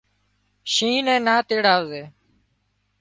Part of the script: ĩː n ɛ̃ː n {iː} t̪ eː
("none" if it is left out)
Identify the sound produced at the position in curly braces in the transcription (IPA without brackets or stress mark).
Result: aː